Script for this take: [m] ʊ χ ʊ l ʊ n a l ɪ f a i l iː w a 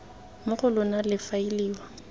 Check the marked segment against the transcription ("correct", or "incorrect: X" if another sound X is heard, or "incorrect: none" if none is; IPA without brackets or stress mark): correct